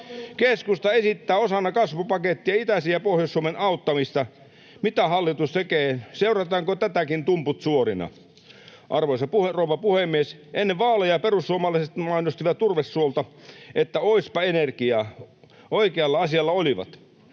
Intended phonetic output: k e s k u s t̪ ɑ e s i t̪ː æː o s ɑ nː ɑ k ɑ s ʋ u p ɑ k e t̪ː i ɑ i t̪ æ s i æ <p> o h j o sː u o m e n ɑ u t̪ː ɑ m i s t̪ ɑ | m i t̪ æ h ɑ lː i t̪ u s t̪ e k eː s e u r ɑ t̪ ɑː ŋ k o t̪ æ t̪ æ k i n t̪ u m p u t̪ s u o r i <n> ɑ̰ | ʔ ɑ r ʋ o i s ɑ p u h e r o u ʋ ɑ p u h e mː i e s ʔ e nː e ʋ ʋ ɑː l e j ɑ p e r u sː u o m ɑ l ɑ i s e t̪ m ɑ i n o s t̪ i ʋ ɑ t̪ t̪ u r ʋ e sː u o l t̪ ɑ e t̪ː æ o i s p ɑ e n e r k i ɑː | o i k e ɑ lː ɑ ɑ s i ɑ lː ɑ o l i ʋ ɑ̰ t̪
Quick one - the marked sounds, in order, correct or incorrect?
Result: correct, correct

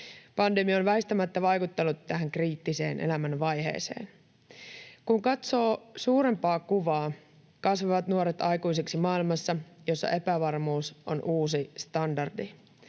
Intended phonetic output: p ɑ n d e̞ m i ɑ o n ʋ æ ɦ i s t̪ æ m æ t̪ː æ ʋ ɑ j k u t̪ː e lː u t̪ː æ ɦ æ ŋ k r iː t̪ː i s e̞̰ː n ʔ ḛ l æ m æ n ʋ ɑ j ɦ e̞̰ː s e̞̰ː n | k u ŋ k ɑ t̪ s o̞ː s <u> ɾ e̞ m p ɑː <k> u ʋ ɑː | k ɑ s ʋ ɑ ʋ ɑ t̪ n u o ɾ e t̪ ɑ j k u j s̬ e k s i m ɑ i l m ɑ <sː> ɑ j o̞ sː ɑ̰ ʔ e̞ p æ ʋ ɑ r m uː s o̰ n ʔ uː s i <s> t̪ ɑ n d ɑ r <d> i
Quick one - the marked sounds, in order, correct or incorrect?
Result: incorrect: uː, correct, correct, correct, correct

